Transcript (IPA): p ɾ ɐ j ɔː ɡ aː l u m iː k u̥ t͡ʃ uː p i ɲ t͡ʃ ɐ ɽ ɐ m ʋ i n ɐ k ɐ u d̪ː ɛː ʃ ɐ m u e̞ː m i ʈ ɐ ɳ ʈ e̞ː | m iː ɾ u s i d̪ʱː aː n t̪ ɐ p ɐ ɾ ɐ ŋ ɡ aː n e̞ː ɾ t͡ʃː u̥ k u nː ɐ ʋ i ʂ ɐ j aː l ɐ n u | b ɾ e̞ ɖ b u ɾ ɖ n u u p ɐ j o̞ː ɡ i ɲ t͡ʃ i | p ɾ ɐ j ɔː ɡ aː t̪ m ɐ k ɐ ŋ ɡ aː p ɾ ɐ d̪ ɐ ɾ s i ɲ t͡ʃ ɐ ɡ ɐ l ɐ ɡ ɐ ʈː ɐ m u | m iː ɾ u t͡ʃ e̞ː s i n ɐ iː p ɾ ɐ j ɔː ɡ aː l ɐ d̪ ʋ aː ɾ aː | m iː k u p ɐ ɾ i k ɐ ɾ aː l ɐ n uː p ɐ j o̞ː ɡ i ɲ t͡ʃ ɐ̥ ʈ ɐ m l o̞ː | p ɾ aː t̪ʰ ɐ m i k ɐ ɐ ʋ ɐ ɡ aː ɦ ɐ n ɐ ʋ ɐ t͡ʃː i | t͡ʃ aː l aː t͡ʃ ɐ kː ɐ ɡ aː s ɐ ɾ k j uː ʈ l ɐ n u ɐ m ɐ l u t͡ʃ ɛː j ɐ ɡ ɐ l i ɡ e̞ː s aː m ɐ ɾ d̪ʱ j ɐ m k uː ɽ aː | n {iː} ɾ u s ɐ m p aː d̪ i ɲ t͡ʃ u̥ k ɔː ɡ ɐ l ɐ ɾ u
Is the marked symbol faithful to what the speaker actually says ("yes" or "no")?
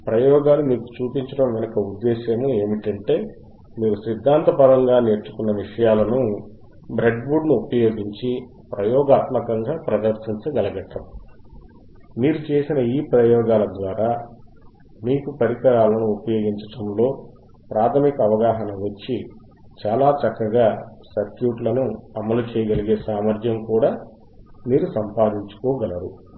yes